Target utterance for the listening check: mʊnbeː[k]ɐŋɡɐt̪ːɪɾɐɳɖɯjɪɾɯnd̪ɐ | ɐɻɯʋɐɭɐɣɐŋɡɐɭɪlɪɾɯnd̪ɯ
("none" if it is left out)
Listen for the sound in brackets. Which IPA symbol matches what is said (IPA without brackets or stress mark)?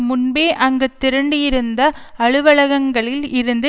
ʔ